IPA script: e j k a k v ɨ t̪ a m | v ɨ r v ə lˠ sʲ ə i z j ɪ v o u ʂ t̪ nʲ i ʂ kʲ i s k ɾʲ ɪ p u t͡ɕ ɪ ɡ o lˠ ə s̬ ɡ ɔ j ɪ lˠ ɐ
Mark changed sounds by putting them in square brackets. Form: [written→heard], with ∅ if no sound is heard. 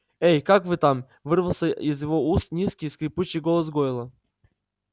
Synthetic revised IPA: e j k a k v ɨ t̪ a m | v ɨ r v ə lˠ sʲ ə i z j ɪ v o u [ʂ→s] t̪ nʲ i [ʂ→s] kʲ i s k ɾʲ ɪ p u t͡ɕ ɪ ɡ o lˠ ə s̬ ɡ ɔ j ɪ lˠ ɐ